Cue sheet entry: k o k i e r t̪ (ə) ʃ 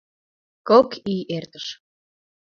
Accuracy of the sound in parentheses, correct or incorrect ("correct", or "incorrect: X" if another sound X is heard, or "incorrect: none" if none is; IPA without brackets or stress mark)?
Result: correct